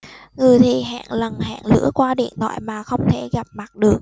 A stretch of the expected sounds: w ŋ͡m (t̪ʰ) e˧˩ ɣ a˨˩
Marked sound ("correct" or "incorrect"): correct